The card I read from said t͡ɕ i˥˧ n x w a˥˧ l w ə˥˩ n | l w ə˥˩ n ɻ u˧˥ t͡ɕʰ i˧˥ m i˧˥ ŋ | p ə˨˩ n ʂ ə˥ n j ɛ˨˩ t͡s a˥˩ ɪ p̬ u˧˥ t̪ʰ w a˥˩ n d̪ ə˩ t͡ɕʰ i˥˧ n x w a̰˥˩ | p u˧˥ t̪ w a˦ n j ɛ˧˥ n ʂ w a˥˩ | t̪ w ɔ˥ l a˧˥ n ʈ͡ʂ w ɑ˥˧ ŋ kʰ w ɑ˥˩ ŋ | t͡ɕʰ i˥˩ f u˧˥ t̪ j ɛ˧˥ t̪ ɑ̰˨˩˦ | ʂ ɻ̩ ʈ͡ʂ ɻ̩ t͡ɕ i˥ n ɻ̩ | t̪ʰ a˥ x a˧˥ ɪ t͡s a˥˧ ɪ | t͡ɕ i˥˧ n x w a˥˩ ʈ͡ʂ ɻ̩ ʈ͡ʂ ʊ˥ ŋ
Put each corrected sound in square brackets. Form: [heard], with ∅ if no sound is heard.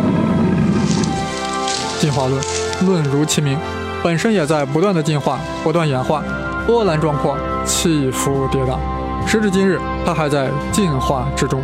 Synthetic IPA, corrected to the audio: t͡ɕ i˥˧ n x w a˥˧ l w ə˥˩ n | l w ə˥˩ n ɻ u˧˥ t͡ɕʰ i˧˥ m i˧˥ ŋ | p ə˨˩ n ʂ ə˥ n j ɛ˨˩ t͡s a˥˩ ɪ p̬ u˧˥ [t̪] w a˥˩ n d̪ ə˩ [t͡ɕ] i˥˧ n x w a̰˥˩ | p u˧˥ t̪ w [a˥˩] n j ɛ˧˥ n [x] w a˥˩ | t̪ w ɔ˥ l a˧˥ n ʈ͡ʂ w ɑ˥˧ ŋ kʰ w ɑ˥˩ ŋ | t͡ɕʰ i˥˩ f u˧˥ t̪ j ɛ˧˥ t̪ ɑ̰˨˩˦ | ʂ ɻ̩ ʈ͡ʂ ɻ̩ t͡ɕ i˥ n ɻ̩ | t̪ʰ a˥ x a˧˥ ɪ t͡s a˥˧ ɪ | t͡ɕ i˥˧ n x w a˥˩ ʈ͡ʂ ɻ̩ ʈ͡ʂ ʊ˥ ŋ